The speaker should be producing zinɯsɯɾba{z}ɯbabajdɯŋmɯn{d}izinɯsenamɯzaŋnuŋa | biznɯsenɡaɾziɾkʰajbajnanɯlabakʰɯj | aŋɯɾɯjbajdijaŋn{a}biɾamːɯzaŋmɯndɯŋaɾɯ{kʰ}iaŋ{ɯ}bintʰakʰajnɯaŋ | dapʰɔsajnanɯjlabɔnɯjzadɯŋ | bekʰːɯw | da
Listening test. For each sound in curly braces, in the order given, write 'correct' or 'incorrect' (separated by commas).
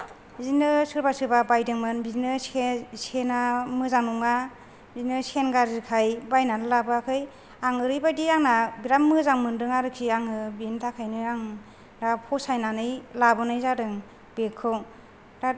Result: incorrect, incorrect, correct, correct, correct